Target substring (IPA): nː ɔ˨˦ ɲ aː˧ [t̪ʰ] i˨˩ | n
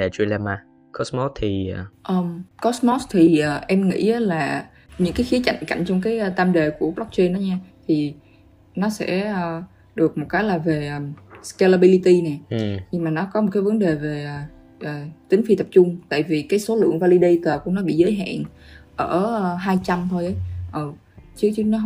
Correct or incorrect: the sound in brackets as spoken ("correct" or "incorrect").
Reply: correct